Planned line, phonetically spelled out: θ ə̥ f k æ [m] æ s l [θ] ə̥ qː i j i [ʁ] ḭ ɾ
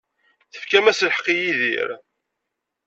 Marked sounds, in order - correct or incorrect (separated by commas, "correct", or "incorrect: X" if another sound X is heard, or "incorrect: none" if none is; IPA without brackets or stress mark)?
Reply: correct, incorrect: ħ, incorrect: ð